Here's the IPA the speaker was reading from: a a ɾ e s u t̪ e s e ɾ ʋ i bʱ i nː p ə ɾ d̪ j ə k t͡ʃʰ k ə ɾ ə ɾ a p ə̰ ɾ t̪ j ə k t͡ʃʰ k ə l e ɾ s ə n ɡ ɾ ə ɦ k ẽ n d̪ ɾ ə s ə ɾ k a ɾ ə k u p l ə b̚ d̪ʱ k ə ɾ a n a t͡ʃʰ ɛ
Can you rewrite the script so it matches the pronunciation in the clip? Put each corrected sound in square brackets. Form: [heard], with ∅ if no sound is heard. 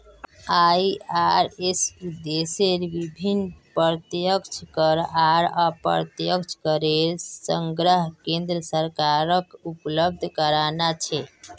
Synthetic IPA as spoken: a a ɾ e s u [d̪] e s e ɾ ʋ i bʱ i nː p ə ɾ [t̪] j ə k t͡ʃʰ k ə ɾ [a] ɾ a p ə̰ ɾ t̪ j ə k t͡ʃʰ k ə [ɾ] e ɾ s ə [ŋ] ɡ ɾ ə ɦ k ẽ n d̪ ɾ ə s ə ɾ k a ɾ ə k u p l ə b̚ d̪ʱ k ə ɾ a n a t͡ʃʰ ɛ

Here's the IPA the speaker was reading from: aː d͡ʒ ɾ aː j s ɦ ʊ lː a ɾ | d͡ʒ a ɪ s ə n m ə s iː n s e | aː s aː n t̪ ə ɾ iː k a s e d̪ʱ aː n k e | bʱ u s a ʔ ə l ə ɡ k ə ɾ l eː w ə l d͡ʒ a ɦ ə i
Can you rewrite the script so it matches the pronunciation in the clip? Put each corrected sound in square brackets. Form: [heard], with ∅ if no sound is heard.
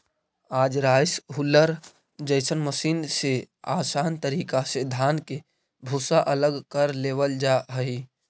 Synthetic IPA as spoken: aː d͡ʒ ɾ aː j s ɦ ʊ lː [ə] ɾ | d͡ʒ [ə] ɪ s ə n m ə s iː n s e | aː s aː n t̪ ə ɾ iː k a s e d̪ʱ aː n k e | bʱ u s a ʔ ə l ə ɡ k ə ɾ l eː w ə l d͡ʒ a ɦ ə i

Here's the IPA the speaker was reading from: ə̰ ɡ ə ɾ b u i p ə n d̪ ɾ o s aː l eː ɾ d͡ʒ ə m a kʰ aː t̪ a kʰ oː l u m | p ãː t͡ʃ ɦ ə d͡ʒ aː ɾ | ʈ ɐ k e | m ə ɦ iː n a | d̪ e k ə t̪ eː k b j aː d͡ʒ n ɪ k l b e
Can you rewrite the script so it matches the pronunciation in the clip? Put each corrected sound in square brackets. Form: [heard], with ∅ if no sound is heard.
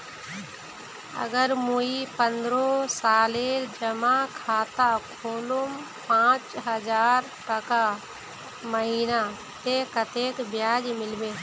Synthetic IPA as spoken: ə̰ ɡ ə ɾ [m] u i p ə n d̪ ɾ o s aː l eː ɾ d͡ʒ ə m a kʰ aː t̪ a kʰ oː l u m | p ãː t͡ʃ ɦ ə d͡ʒ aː ɾ | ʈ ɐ k [a] | m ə ɦ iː n a | [t̪] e k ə t̪ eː k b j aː d͡ʒ [m] ɪ [∅] l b e

